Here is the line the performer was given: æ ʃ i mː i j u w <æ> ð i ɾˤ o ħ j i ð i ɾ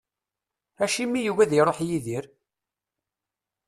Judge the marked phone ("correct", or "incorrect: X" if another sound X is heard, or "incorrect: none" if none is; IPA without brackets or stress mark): correct